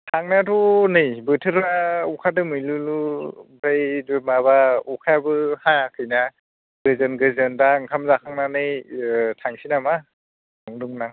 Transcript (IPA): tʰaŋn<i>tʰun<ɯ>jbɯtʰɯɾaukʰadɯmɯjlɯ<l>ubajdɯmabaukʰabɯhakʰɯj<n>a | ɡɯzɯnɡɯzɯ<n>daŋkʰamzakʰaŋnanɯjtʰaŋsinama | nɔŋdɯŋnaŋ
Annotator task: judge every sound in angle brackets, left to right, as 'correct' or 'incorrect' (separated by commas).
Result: incorrect, correct, correct, correct, correct